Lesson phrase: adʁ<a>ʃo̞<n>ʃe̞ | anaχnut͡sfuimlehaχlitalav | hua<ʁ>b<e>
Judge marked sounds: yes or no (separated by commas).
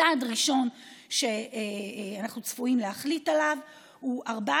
no, yes, yes, no